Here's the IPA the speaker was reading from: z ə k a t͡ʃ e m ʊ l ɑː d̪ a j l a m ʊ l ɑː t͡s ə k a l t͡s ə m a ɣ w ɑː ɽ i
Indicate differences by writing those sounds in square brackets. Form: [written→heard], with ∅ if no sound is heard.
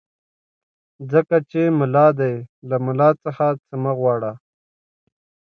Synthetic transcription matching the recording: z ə k a t͡ʃ e m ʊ l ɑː d̪ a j l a m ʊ l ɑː t͡s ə [k→x] a [l→∅] t͡s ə m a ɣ w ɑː ɽ [i→a]